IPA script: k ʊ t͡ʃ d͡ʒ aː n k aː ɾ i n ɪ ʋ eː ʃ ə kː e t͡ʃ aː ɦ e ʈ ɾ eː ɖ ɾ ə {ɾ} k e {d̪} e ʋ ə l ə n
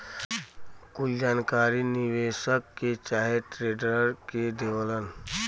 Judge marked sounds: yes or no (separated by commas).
yes, yes